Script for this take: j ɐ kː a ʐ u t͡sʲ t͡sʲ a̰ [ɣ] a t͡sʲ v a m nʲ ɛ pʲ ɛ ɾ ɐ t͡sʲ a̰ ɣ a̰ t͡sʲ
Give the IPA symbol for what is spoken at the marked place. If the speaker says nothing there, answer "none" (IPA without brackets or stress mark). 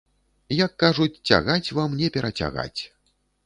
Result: ɣ